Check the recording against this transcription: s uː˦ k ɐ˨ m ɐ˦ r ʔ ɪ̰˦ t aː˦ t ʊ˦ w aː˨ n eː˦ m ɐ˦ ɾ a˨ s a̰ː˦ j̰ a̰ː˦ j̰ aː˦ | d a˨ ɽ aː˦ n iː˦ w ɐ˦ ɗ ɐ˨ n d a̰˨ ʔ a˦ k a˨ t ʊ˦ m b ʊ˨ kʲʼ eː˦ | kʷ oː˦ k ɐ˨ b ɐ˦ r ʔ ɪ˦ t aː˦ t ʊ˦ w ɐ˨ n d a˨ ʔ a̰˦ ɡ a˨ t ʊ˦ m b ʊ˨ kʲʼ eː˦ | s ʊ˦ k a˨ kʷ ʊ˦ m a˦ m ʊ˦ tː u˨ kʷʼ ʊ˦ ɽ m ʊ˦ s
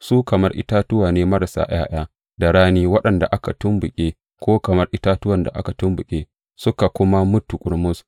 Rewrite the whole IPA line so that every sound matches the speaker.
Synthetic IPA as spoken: s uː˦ k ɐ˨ m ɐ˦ r ʔ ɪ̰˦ t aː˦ t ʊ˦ w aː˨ n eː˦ m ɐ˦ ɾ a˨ s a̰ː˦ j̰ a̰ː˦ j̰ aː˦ | d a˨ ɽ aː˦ n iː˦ w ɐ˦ ɗ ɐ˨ n d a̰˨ ʔ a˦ k a˨ t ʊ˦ m b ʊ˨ kʲʼ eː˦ | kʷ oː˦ k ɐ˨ m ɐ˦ r ʔ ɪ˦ t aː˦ t ʊ˦ w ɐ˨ n d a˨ ʔ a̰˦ k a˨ t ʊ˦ m b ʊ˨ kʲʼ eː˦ | s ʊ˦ k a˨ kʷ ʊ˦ m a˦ m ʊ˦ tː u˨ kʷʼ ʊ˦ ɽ m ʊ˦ s